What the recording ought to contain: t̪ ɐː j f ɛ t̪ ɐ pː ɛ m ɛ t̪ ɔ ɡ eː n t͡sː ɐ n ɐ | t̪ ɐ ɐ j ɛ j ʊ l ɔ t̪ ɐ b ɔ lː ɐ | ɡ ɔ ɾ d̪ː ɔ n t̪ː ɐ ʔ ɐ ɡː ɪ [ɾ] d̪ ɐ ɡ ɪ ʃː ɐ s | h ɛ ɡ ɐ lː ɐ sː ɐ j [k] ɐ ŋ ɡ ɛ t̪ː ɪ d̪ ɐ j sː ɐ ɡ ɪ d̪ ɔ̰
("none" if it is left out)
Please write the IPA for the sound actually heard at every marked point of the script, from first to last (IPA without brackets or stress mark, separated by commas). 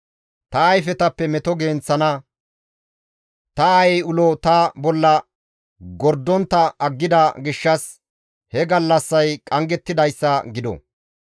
none, kʼ